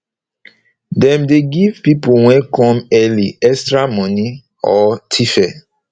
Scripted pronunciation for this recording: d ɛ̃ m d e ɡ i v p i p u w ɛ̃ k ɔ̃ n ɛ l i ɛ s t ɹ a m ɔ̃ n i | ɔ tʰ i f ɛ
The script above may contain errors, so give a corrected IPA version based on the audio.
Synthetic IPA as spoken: d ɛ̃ m d e ɡ i v p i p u w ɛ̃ k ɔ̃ m ɛ l i ɛ s t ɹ a m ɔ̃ n i | ɔ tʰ i f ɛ